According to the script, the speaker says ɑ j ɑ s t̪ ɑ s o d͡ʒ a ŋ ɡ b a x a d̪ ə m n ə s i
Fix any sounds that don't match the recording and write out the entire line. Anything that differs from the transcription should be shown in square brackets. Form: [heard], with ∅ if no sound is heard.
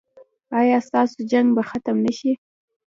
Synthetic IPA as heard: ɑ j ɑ s t̪ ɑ s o d͡ʒ a ŋ ɡ b a x a [t̪] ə m n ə [ʃ] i